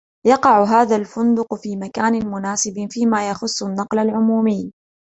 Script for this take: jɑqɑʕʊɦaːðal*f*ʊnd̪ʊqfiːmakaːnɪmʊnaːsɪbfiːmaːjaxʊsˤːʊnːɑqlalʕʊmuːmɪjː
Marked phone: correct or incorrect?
correct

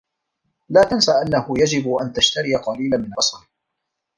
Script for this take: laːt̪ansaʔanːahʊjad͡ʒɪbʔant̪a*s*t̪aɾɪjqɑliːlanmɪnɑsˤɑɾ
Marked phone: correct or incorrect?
incorrect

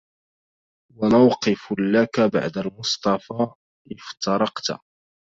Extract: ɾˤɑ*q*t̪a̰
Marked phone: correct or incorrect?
correct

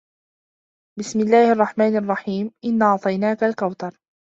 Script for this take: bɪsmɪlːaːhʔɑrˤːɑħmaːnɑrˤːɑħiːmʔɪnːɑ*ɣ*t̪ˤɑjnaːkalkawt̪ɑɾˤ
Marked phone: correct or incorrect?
incorrect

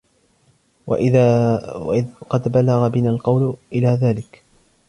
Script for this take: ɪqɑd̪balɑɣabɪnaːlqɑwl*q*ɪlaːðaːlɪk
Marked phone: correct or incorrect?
incorrect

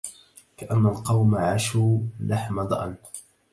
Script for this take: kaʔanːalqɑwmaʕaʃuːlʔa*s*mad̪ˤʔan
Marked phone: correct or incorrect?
incorrect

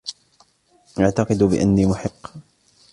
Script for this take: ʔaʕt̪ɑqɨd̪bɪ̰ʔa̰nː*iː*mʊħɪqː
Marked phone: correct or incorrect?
correct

